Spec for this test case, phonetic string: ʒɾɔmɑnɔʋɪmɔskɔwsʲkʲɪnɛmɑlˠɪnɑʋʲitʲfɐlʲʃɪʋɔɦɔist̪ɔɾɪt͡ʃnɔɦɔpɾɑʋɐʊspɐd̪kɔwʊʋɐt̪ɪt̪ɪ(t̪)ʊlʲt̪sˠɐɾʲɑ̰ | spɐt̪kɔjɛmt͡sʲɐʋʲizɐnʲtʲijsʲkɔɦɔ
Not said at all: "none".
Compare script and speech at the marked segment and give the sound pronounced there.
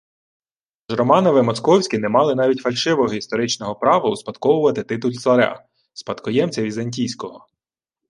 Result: t̪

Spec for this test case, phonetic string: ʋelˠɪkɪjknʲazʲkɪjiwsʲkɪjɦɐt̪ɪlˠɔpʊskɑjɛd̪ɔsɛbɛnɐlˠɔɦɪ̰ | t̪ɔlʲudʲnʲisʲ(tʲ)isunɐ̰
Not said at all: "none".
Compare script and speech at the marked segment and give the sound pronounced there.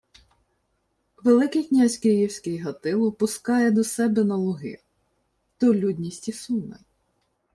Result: tʲ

